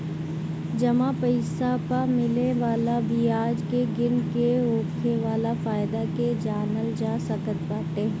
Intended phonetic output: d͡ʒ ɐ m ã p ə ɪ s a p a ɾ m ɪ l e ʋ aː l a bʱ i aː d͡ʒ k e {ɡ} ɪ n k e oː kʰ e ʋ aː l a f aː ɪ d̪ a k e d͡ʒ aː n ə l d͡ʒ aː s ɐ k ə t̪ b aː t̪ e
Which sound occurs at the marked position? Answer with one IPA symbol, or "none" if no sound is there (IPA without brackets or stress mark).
ɡ